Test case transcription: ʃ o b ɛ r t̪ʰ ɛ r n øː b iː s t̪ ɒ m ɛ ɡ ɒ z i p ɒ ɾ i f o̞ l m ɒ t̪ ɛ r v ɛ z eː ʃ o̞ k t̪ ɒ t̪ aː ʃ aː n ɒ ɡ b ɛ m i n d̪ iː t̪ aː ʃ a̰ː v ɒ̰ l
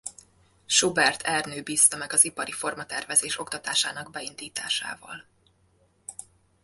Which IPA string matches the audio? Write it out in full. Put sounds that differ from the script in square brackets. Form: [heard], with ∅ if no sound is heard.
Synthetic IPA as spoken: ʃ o b ɛ r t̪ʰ ɛ r n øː b iː s t̪ ɒ m ɛ ɡ ɒ z i p ɒ ɾ i f o̞ [r] m ɒ t̪ ɛ r v ɛ z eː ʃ o̞ k t̪ ɒ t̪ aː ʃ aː n ɒ ɡ b ɛ [∅] i n d̪ iː t̪ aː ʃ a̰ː v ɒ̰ l